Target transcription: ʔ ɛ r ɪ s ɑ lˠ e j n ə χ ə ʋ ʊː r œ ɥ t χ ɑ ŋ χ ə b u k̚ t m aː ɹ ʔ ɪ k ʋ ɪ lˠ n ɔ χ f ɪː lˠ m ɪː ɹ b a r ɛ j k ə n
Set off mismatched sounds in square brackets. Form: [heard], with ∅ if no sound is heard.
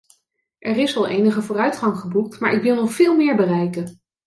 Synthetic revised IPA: ʔ ɛ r ɪ s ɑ lˠ e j n ə χ ə [v] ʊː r œ ɥ t χ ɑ ŋ χ ə b u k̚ t m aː ɹ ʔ ɪ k ʋ ɪ lˠ n ɔ χ f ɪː lˠ m ɪː ɹ b [ə] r ɛ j k ə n